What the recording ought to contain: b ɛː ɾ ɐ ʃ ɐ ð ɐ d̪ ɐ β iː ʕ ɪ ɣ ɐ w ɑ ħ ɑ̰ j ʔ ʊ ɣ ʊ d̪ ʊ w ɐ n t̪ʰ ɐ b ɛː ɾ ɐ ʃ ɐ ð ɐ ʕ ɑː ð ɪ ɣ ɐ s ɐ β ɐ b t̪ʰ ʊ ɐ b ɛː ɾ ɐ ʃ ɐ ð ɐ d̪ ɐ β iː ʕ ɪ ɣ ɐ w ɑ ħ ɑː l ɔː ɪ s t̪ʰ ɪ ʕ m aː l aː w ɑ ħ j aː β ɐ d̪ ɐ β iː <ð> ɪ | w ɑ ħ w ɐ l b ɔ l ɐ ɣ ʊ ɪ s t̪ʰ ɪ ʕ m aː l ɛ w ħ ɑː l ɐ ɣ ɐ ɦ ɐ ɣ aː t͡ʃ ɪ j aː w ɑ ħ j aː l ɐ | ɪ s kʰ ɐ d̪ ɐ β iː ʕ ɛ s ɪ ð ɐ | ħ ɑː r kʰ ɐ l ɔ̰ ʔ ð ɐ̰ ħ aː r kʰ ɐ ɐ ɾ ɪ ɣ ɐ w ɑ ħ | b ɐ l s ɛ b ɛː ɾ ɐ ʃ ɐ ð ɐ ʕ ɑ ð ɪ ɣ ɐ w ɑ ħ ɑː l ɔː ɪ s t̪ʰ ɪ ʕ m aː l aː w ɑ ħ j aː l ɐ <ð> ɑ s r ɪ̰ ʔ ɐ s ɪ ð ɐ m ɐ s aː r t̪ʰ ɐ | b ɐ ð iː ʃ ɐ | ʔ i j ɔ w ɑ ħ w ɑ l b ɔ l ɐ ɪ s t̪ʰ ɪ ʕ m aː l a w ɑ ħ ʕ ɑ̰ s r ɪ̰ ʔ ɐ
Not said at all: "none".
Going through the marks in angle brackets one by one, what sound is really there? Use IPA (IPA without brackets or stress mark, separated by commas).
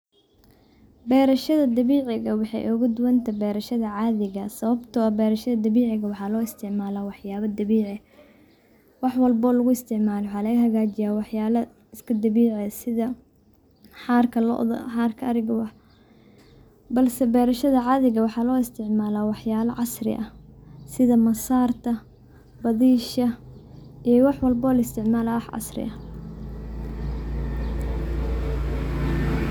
ʕ, ʕ